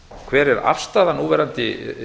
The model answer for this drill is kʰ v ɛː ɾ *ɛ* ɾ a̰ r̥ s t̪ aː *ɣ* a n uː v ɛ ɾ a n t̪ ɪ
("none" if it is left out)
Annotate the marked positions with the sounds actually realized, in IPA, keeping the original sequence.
ɛ, ð

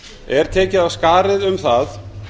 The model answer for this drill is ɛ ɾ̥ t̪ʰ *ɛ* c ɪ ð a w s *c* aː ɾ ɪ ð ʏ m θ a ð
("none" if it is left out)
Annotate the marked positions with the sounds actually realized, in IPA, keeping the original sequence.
ɛː, k

